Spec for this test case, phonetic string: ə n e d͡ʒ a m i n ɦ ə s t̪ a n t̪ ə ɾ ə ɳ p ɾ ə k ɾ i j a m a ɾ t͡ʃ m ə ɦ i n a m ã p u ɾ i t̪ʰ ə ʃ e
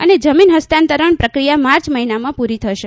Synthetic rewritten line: ə n e d͡ʒ ə m i n ɦ ə s t̪ a n t̪ ə ɾ ə ɳ p ɾ ə k ɾ i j a m a ɾ t͡ʃ m ə ɦ i n a m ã p u ɾ i t̪ʰ ə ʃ e